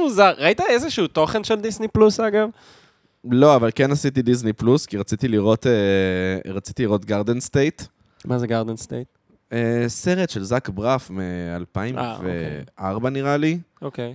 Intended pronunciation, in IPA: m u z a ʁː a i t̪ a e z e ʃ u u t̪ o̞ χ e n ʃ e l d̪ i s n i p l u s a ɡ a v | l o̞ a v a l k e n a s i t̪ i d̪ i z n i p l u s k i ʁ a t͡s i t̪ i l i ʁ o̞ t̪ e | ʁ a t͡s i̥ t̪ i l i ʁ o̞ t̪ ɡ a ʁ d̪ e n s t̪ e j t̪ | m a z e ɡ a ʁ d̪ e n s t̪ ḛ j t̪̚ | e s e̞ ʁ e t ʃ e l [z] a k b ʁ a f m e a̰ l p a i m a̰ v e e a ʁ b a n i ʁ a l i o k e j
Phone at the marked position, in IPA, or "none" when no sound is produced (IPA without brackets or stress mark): z